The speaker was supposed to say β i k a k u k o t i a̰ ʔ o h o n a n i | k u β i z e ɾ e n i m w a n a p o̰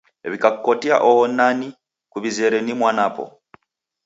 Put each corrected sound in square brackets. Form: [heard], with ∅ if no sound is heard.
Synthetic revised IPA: β i k a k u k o t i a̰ ʔ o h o n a n i | k u β i z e ɾ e n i m w a n a p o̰